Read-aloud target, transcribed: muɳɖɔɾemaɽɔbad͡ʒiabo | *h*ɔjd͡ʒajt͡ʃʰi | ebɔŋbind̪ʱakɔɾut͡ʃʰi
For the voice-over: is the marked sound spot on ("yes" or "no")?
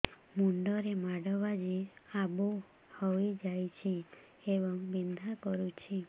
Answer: yes